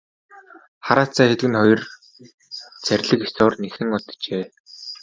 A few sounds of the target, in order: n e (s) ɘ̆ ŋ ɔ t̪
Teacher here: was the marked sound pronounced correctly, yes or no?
no